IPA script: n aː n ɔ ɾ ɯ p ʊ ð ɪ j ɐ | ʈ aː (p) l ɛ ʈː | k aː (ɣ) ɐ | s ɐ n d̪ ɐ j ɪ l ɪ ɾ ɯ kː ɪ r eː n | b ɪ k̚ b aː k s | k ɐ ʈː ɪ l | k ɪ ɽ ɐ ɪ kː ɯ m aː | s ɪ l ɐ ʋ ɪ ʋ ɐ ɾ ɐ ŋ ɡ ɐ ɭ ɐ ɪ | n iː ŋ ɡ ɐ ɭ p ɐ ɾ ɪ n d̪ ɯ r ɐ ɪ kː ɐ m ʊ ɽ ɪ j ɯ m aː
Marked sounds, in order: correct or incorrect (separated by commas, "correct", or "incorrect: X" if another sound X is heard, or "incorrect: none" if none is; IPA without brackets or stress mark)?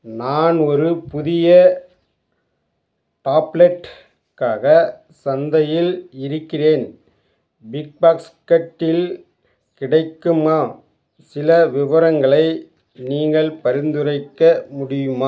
correct, correct